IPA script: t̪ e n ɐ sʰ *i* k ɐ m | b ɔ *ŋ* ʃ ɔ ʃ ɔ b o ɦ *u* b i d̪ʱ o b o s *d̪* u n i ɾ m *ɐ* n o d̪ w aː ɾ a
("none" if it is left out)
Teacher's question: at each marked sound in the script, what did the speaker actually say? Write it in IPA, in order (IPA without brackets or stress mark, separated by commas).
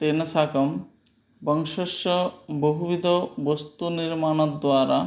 a, ŋ, u, t̪, a